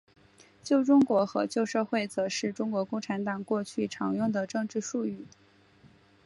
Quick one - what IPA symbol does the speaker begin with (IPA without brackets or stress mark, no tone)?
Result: t͡ɕ